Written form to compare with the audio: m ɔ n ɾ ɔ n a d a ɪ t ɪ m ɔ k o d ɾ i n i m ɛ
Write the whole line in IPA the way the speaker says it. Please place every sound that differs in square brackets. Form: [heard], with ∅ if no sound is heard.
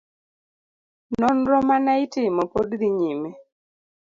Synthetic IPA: [n] ɔ n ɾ ɔ [m] a [n] a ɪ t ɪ m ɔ [p] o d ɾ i [ɲ] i m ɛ

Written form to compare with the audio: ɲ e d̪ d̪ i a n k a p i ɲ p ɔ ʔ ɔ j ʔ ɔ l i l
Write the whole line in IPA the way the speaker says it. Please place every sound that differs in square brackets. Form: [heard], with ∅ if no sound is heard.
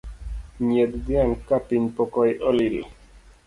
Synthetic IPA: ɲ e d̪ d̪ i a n k a p i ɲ p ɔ [k] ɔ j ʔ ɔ l i l

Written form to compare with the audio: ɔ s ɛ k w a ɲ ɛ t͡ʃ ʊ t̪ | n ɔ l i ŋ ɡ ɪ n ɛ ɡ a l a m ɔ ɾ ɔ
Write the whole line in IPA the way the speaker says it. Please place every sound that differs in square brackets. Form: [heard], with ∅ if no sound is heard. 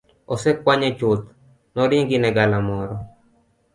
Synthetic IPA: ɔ s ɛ k w a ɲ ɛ t͡ʃ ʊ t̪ | n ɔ [ɾ] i ŋ ɡ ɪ n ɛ ɡ a l a m ɔ ɾ ɔ

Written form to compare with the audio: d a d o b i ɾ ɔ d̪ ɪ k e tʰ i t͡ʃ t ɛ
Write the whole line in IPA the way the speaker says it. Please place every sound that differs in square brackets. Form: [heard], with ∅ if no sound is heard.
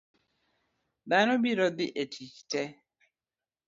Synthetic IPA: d a [n] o b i ɾ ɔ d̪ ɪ [ʔ] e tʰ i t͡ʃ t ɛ

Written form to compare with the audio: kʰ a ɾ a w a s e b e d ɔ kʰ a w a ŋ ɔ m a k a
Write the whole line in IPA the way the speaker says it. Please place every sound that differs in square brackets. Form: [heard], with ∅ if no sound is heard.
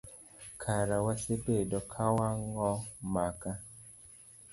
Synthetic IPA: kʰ a ɾ a w a s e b e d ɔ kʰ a w a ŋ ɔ m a k a

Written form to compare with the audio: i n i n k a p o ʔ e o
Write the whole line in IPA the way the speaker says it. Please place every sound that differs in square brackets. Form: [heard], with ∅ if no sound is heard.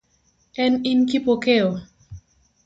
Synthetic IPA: [ɛ] n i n k [i] p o [k] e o

